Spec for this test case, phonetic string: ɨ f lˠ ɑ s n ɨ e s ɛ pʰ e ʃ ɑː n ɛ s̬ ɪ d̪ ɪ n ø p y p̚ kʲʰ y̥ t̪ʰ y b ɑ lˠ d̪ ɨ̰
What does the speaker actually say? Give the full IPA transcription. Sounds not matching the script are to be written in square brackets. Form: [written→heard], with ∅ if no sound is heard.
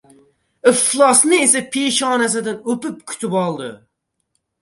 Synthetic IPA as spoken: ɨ f lˠ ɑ s n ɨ e s ɛ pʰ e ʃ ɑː n ɛ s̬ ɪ d̪ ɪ n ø p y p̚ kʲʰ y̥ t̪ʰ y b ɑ lˠ d̪ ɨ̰